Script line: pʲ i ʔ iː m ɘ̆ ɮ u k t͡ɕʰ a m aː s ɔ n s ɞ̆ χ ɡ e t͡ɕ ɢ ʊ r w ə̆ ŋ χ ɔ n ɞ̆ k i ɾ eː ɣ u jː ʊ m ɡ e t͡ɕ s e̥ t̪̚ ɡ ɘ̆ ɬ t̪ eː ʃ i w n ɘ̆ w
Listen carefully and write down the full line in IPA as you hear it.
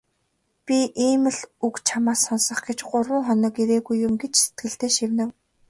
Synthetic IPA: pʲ i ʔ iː m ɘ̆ ɮ u k t͡ɕʰ a m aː s ɔ n s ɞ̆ χ ɡ e t͡ɕ ɢ ʊ r w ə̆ ŋ χ ɔ n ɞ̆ k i ɾ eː ɣ u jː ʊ m ɡ e t͡ɕ s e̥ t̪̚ ɡ ɘ̆ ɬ t̪ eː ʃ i w n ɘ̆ w

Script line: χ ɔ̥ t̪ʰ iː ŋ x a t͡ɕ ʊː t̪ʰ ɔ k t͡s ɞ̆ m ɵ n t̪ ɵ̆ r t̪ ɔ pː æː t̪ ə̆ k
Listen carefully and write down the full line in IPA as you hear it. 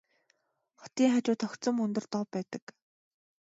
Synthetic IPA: χ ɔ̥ t̪ iː ŋ χ a t͡ɕ ʊː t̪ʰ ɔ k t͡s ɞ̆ m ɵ n t̪ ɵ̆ r t̪ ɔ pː æː t̪ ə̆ k

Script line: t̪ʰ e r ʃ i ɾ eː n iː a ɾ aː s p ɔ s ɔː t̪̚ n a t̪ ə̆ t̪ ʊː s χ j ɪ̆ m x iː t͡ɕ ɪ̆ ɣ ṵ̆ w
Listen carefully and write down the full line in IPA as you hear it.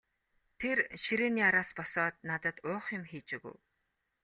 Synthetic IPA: t̪ʰ e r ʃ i ɾ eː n iː a ɾ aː s p ɔ s ɔː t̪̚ n a t̪ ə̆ t̪ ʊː χ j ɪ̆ m x iː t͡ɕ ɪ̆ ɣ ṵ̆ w

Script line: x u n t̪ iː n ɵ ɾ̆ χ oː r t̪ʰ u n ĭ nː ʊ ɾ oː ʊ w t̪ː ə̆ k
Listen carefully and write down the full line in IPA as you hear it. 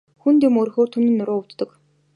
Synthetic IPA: x u n t̪ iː m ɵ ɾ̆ x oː r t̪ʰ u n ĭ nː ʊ ɾ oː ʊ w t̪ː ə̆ k

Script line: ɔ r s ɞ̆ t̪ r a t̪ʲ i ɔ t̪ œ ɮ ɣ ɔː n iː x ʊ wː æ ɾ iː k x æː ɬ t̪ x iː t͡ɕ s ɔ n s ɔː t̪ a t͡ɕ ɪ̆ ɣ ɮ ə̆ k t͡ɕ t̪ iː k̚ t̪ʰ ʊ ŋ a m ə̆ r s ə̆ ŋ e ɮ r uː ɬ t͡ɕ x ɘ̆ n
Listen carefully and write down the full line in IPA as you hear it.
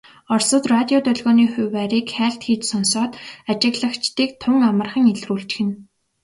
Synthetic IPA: ɔ r s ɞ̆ t̪ r a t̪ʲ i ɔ t̪ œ ɮ ɣ ɔː n iː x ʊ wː æ ɾ iː k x æː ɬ t̪ x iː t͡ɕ s ɔ n s ɔː t̪ a t͡ɕ ɪ̆ ɣ ɮ ə̆ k t͡ɕ t̪ iː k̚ t̪ʰ ʊ ŋ a m ə̆ r χ ə̆ ŋ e ɮ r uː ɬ t͡ɕ x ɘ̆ n

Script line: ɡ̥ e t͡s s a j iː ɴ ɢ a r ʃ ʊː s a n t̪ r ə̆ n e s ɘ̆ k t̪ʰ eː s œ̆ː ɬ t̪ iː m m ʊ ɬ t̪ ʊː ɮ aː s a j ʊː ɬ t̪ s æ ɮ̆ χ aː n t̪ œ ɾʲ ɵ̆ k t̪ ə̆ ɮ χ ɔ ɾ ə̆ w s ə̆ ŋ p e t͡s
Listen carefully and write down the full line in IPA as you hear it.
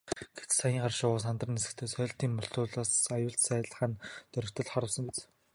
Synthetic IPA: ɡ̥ e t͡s s a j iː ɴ ɢ a r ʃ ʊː s a n t̪ r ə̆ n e s ɘ̆ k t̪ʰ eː s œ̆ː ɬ t̪ iː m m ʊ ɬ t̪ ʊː ɮ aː s a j ʊː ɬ t̪ s æː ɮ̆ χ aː n t̪ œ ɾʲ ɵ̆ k t̪ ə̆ ɮ χ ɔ ɾ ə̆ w s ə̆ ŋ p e t͡s

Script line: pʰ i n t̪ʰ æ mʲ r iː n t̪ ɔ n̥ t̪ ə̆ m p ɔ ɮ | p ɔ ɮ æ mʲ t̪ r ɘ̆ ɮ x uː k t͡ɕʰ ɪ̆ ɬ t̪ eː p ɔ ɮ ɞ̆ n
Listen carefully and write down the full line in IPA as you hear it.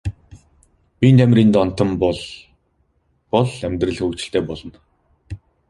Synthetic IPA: p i n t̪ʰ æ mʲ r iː n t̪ ɔ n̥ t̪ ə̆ m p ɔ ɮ | p ɔ ɮ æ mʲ t̪ r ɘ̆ ɮ x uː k t͡ɕ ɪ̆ ɬ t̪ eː p ɔ ɮ ɞ̆ n

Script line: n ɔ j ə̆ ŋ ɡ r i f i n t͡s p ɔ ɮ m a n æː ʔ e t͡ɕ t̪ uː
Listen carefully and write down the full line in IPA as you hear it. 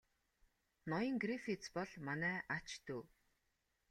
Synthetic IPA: n ɔ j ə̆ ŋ ɡ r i f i t͡s p ɔ ɮ m a n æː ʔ a t͡ɕ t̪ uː

